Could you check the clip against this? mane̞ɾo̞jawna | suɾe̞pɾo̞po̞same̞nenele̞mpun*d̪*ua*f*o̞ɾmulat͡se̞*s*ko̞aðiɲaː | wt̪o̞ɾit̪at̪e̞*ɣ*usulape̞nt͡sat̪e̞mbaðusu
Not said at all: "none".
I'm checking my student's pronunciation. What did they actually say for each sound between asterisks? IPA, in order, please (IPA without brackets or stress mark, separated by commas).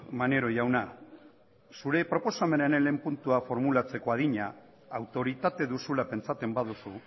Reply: t̪, f, none, ð